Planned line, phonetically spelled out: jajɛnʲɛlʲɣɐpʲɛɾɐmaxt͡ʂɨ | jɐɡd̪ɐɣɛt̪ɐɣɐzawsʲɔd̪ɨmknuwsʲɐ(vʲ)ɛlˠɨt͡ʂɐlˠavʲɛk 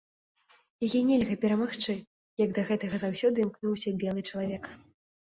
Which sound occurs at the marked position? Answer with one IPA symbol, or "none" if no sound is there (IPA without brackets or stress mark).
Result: bʲ